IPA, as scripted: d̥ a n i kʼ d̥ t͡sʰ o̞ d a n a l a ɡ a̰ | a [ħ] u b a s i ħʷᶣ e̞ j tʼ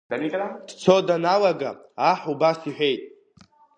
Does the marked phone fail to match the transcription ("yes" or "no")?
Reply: no